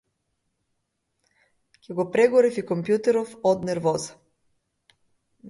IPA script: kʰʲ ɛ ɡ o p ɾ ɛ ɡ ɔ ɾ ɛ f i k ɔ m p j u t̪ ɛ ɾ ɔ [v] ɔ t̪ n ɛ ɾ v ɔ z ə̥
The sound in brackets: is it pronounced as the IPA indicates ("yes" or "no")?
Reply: no